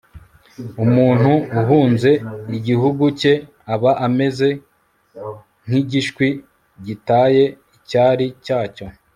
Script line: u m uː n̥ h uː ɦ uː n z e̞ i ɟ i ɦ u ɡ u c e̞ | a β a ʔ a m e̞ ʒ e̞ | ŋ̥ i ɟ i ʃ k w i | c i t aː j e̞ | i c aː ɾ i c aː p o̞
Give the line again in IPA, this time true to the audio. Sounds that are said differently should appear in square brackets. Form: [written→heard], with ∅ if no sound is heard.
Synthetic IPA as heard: u m uː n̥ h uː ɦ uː n z e̞ i ɟ i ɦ u ɡ u c e̞ | a β a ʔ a m e̞ [ʒ→z] e̞ | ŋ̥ i ɟ i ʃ k w i | [c→ɟ] i t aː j e̞ | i c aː ɾ i c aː [p→c] o̞